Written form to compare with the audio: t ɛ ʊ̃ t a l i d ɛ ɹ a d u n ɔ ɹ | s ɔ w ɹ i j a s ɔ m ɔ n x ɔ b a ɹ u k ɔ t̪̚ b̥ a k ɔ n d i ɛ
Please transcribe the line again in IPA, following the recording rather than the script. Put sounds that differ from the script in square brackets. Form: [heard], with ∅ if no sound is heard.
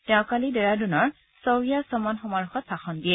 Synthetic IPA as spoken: t ɛ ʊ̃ [k] a l i d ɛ ɹ a d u n ɔ ɹ | s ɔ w ɹ i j a s ɔ m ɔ n x ɔ [m] a ɹ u [x] ɔ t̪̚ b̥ a [x] ɔ n d i ɛ

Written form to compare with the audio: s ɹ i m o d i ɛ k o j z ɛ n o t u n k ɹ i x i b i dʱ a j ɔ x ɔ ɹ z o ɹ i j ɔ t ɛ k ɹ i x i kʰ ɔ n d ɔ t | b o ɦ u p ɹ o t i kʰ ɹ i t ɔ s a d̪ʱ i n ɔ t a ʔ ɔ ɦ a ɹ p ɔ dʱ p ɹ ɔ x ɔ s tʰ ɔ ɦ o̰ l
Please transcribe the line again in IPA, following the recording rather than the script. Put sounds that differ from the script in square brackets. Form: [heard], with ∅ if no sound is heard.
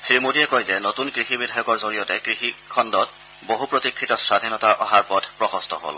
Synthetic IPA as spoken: s ɹ i m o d i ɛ k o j z ɛ n o t u n k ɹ i x i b i dʱ a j ɔ [k] ɔ ɹ z o ɹ i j ɔ t ɛ k ɹ i x i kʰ ɔ n d ɔ t | b o ɦ u p ɹ o t i kʰ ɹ i t ɔ s a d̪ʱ i n ɔ t a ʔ ɔ ɦ a ɹ p ɔ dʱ p ɹ ɔ x ɔ s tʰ ɔ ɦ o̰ l

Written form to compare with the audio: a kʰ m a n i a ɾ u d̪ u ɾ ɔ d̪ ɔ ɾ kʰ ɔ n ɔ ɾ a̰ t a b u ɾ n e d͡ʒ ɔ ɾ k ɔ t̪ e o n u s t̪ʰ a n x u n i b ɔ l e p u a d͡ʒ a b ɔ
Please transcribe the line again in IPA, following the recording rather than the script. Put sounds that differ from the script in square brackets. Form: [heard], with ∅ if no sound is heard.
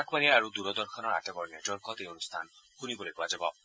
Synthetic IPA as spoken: a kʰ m a n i a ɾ u d̪ u ɾ ɔ d̪ ɔ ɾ kʰ ɔ n ɔ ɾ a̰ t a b [ɔ] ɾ n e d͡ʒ ɔ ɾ k ɔ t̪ e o n u s t̪ʰ a n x u n i b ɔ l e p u a d͡ʒ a b ɔ

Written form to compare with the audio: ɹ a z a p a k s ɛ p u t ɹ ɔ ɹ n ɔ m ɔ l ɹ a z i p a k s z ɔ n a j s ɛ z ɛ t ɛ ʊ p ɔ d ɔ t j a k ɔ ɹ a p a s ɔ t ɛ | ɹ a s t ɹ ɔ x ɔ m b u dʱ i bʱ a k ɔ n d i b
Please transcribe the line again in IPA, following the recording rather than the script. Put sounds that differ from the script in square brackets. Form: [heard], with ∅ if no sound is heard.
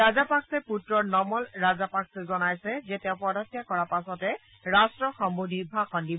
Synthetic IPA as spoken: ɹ a z a p a k s ɛ p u t ɹ ɔ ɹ n ɔ m ɔ l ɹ a z [a] p a k s z ɔ n a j s ɛ z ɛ t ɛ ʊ p ɔ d ɔ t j a k ɔ ɹ a p a s ɔ t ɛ | ɹ a s t ɹ ɔ x ɔ m b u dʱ i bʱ a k ɔ n d i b

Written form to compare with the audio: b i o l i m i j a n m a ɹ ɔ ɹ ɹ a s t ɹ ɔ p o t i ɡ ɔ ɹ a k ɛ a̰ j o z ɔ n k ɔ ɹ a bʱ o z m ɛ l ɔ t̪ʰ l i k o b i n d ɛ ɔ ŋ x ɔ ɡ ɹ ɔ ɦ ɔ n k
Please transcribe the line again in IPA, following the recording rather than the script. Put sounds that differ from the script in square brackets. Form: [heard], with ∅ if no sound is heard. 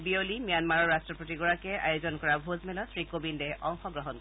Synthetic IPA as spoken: b i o l i m i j a n m a ɹ ɔ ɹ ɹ a s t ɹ ɔ p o t i ɡ ɔ ɹ a k ɛ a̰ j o z ɔ n k ɔ ɹ a bʱ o z m ɛ l ɔ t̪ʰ [ɹ] i k o b i n d ɛ ɔ ŋ x ɔ ɡ ɹ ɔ ɦ ɔ n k

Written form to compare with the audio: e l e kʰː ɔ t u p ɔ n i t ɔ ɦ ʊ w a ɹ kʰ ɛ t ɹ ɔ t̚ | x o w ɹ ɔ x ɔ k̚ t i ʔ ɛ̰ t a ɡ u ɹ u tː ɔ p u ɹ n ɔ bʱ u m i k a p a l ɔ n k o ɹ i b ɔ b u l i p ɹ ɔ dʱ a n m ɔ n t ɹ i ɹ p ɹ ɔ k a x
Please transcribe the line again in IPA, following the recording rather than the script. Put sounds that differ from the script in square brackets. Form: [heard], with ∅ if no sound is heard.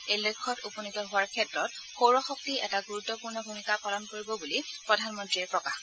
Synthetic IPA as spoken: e l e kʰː ɔ t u p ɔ n i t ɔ ɦ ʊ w a ɹ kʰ ɛ t ɹ ɔ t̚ | x o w ɹ ɔ x ɔ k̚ t i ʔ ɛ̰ t a ɡ u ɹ u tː ɔ p u ɹ n ɔ bʱ u m i k a p a l ɔ n k o ɹ i b ɔ b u l i p ɹ ɔ dʱ a n m ɔ n t ɹ i ɹ p ɹ ɔ k a x

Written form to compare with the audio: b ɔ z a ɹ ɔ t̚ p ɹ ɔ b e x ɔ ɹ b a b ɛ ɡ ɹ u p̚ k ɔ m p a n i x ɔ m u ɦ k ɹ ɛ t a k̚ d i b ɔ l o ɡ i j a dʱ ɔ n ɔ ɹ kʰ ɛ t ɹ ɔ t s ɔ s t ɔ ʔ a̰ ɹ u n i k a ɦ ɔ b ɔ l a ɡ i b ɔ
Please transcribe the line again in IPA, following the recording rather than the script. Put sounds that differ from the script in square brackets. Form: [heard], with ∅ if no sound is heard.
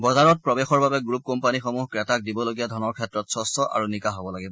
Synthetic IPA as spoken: b ɔ z a ɹ ɔ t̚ p ɹ ɔ b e x ɔ ɹ b a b ɛ ɡ ɹ u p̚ k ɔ m p a n i x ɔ m u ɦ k ɹ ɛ t a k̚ d i b ɔ l o ɡ i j a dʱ ɔ n ɔ ɹ kʰ ɛ t ɹ ɔ t s ɔ s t ɔ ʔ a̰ ɹ u n i k a ɦ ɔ b ɔ l a ɡ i b ɔ

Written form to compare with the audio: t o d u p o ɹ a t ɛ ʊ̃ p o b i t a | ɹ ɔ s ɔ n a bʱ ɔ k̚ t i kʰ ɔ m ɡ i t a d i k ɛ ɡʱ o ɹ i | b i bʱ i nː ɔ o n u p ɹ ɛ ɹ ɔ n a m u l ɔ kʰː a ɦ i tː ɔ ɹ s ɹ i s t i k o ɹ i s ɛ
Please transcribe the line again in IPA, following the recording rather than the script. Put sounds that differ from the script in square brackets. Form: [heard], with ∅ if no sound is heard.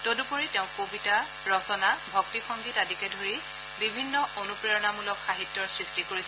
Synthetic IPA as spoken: t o d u p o ɹ [i] t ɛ ʊ̃ [k] o b i t a | ɹ ɔ s ɔ n a bʱ ɔ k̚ t i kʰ ɔ [ŋ] ɡ i t a d i k ɛ [dʱ] o ɹ i | b i bʱ i nː ɔ o n u p ɹ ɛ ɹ ɔ n a m u l ɔ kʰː a ɦ i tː ɔ ɹ s ɹ i s t i k o ɹ i s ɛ

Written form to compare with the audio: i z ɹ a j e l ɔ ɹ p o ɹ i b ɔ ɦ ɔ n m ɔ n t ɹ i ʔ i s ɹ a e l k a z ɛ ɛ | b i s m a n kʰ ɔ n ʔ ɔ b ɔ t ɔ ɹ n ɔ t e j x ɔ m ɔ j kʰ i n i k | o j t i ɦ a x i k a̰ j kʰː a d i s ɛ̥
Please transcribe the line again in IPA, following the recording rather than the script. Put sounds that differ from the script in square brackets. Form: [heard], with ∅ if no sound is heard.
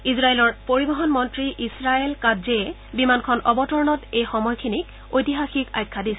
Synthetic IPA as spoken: i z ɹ a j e l ɔ ɹ p o ɹ i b ɔ ɦ ɔ n m ɔ n t ɹ i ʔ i s ɹ a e l k a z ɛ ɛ | b i [∅] m a n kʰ ɔ n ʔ ɔ b ɔ t ɔ ɹ n ɔ t e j x ɔ m ɔ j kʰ i n i k | o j t i ɦ a x i k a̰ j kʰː a d i s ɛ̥

